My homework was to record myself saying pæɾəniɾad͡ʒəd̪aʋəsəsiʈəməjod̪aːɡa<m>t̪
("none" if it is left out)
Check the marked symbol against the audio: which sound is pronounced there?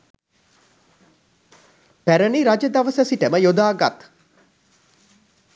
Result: none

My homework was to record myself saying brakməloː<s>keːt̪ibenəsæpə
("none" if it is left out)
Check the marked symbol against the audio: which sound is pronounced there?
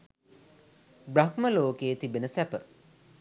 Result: none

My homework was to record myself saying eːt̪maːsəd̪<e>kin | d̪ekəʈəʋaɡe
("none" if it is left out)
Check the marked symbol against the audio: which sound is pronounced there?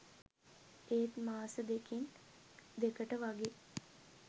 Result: e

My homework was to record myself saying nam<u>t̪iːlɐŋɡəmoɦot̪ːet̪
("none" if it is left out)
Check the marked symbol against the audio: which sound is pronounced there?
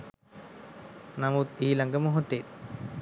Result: u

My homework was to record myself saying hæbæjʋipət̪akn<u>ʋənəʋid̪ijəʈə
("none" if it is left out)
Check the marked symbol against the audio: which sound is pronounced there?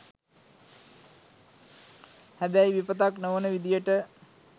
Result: o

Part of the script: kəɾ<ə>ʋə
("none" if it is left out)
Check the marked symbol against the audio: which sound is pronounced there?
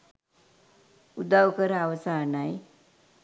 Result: a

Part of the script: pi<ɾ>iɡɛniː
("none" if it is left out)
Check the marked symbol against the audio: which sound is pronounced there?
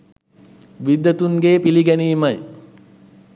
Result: l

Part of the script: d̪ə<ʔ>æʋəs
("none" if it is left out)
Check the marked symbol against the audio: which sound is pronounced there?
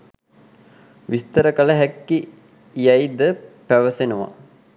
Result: p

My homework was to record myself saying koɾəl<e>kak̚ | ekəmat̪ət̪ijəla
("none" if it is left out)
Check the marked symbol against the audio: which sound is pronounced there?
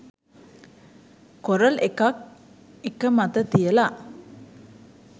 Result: e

